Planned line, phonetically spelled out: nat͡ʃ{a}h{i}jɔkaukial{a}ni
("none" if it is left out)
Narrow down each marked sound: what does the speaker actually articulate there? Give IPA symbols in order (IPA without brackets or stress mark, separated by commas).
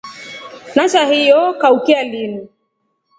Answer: a, i, i